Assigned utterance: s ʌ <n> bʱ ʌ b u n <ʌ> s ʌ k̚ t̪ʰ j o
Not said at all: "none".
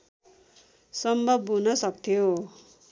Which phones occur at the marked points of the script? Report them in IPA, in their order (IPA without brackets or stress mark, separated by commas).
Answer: m, ʌ